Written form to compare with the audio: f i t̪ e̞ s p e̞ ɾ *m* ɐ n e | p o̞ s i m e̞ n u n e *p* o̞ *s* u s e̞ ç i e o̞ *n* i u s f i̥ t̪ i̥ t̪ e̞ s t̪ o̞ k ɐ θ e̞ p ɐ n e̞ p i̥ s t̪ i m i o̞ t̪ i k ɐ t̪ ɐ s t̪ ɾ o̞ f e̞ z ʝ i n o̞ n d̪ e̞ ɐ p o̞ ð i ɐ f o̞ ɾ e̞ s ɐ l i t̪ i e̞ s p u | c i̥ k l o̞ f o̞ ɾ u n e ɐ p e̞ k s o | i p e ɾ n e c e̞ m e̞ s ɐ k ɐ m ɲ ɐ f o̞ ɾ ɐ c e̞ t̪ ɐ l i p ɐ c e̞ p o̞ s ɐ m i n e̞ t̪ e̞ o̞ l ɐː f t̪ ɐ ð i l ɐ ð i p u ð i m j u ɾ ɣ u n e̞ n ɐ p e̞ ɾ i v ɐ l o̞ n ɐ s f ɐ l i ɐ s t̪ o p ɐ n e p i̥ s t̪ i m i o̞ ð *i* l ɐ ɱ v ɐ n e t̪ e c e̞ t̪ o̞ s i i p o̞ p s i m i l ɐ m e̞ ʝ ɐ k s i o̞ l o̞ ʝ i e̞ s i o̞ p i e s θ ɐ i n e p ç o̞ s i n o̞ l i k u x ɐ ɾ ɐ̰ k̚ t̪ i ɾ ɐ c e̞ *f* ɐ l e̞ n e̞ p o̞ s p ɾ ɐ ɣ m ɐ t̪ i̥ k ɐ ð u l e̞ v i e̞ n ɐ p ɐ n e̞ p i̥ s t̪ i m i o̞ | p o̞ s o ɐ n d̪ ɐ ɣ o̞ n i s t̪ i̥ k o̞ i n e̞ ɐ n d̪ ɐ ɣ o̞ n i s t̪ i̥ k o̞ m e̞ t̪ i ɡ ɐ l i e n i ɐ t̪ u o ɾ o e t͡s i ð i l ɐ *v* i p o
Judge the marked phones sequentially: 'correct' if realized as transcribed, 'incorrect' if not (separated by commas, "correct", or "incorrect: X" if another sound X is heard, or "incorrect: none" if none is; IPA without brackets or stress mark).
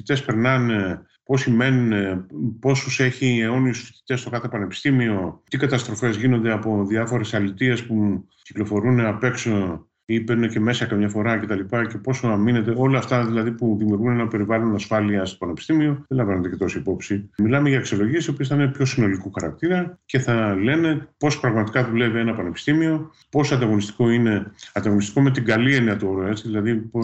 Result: incorrect: n, correct, correct, correct, incorrect: e, incorrect: θ, incorrect: ð